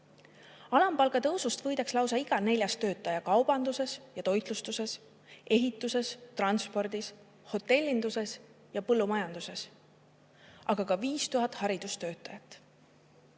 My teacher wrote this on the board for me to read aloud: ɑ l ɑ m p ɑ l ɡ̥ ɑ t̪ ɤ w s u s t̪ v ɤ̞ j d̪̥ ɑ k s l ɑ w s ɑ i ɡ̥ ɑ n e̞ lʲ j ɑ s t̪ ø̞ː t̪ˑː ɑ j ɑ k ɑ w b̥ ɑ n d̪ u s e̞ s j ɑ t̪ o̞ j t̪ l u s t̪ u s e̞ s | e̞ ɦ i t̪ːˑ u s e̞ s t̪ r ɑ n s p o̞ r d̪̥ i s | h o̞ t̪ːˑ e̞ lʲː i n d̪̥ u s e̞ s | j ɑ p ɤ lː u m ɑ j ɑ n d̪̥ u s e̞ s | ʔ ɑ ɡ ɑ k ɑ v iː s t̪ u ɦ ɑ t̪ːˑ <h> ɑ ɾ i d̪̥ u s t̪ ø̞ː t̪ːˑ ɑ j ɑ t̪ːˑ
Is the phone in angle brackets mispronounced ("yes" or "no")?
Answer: no